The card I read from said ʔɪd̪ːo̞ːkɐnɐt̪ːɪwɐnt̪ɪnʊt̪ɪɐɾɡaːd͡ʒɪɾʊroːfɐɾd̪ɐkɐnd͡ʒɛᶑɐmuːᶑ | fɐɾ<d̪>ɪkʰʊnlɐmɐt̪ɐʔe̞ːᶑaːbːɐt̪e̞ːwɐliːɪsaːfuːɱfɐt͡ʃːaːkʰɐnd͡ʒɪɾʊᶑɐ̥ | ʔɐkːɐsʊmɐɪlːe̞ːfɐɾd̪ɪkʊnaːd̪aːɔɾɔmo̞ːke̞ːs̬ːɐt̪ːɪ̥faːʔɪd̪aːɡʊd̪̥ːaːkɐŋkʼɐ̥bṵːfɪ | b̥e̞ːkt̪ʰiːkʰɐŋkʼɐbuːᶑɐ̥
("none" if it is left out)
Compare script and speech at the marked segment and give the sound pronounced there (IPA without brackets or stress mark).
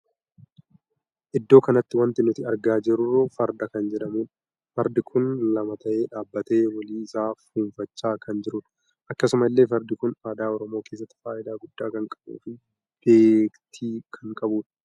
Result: d̪